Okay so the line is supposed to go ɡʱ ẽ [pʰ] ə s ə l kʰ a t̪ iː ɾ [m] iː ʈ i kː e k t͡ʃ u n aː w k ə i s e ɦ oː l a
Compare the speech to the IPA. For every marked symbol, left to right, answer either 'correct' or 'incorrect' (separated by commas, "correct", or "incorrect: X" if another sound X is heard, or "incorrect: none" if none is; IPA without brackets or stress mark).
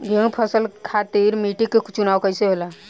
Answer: correct, correct